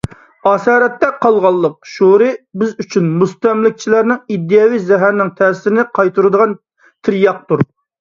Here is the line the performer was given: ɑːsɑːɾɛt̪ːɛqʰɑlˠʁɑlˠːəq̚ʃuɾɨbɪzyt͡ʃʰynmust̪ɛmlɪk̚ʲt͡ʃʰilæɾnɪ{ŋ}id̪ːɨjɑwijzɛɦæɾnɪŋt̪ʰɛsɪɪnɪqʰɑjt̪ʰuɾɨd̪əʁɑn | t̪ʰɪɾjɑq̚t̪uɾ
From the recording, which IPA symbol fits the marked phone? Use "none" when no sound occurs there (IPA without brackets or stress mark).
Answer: ŋ